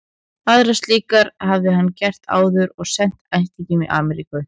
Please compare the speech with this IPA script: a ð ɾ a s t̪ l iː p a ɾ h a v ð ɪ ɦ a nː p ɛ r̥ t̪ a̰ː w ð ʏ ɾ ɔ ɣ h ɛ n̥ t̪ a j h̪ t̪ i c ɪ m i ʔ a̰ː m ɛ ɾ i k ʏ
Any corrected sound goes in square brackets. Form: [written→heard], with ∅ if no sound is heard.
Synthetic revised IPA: a ð ɾ a s t̪ l iː [p→k] a ɾ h a v ð ɪ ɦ a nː [p→c] ɛ r̥ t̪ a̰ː w ð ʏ ɾ ɔ ɣ [h→s] ɛ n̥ t̪ a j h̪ t̪ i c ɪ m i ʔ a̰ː m ɛ ɾ i k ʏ